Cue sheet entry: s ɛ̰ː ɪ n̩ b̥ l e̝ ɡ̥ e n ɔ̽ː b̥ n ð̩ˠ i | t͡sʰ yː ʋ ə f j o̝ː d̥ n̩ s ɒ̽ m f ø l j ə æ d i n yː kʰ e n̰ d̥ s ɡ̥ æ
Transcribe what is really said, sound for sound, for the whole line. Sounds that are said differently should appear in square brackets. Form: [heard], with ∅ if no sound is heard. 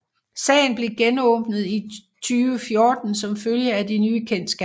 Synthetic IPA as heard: s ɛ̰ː ɪ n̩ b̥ l e̝ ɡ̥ e n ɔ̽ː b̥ n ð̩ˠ i | t͡sʰ yː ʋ ə f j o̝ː d̥ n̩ s ɒ̽ m f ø l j ə æ d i n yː kʰ e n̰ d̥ s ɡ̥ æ